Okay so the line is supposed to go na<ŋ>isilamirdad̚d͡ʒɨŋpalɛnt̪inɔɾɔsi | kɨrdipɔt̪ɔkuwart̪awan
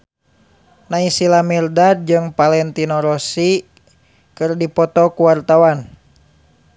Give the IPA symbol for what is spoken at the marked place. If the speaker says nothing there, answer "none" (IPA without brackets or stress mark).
none